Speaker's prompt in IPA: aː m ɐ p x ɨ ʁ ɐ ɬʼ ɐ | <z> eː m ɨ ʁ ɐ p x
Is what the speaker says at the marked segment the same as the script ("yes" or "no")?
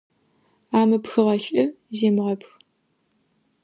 yes